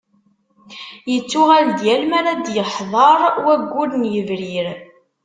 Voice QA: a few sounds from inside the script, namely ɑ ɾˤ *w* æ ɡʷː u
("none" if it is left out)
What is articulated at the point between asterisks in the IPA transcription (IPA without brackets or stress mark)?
w